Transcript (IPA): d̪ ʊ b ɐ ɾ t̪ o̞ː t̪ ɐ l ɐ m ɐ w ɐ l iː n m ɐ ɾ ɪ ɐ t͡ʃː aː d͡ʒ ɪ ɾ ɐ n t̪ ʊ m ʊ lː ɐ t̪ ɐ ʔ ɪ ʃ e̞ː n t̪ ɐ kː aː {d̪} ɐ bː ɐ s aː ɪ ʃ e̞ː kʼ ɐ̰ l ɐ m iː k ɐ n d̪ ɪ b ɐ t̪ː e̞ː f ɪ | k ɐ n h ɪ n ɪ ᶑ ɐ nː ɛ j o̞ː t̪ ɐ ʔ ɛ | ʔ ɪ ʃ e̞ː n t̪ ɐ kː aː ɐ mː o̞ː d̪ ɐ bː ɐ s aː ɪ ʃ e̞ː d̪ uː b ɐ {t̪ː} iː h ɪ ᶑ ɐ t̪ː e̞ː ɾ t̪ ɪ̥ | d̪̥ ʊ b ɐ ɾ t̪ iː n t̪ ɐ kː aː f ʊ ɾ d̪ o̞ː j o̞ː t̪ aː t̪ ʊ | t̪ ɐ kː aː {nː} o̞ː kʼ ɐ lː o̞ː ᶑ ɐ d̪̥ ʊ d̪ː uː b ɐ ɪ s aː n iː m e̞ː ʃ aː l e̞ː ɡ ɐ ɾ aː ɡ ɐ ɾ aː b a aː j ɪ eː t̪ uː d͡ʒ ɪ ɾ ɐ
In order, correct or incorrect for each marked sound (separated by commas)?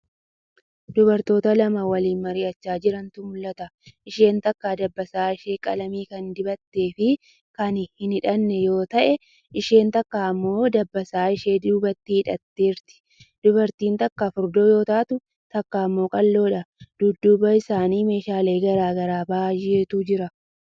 correct, correct, incorrect